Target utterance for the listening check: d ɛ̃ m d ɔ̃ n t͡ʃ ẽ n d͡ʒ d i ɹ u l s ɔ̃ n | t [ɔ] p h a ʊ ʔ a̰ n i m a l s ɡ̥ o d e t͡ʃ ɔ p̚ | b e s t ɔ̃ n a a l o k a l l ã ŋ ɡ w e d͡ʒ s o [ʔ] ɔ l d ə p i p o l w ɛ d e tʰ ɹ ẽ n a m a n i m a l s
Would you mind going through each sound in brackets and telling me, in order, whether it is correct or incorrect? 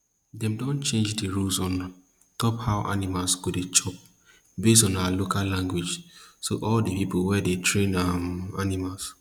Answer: correct, correct

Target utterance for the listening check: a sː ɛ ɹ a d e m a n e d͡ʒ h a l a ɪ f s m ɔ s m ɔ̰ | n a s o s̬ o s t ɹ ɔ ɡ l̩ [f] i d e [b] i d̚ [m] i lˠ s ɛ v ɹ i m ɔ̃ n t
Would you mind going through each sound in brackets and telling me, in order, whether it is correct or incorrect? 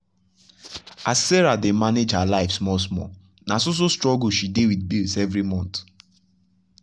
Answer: incorrect, incorrect, incorrect

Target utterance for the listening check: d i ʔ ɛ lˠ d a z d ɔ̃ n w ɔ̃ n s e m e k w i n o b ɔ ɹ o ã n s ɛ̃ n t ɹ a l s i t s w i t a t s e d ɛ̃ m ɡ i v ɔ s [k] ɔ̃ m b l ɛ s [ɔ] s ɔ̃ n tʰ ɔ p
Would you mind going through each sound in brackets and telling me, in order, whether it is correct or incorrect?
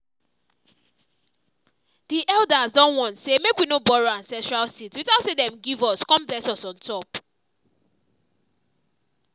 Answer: correct, correct

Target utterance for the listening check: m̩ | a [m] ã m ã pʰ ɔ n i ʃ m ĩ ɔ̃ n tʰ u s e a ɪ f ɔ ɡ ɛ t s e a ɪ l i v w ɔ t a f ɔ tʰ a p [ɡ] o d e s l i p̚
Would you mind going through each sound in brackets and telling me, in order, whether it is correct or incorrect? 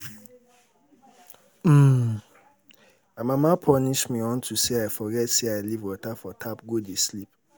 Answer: correct, correct

